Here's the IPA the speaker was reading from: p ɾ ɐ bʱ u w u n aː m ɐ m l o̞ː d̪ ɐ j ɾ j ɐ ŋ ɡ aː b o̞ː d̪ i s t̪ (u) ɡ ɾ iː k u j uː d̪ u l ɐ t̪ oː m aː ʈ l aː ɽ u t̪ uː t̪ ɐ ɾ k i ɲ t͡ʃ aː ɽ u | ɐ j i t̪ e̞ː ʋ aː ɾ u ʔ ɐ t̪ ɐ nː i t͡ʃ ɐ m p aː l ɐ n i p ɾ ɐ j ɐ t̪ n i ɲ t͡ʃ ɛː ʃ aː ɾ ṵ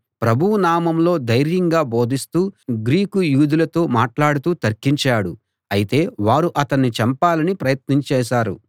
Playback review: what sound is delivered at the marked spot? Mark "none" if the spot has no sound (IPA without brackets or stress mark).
uː